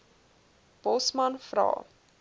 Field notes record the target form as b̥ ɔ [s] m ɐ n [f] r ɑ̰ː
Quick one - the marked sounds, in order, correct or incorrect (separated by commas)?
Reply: correct, correct